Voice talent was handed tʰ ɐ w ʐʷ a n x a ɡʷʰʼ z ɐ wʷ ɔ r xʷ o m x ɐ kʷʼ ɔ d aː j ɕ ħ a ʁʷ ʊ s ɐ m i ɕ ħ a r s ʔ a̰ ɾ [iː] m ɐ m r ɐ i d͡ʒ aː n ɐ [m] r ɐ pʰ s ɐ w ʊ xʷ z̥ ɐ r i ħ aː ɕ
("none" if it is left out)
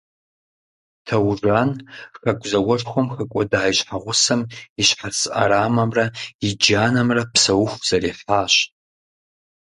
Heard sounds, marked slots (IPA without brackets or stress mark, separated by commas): aː, m